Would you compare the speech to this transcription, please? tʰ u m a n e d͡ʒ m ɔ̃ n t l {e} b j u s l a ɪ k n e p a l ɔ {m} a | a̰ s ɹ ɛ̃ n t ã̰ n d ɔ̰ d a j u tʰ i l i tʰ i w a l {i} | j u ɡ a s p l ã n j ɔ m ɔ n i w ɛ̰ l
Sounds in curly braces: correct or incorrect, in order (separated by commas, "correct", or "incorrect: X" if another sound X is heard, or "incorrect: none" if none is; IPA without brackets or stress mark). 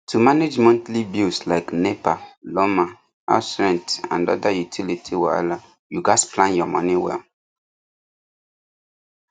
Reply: incorrect: i, correct, incorrect: a